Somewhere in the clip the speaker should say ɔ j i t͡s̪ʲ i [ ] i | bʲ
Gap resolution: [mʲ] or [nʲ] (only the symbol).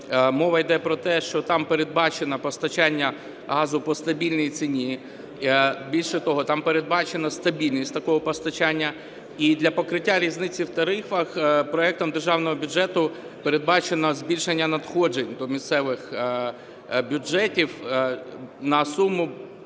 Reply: nʲ